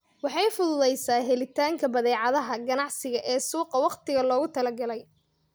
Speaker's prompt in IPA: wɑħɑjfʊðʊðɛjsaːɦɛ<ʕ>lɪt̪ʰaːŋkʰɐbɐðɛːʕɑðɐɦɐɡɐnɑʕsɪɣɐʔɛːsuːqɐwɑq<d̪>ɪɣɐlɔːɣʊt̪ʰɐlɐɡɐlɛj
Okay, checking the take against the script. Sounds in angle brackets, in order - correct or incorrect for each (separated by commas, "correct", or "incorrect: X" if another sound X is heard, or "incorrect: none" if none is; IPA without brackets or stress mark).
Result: incorrect: none, incorrect: t̪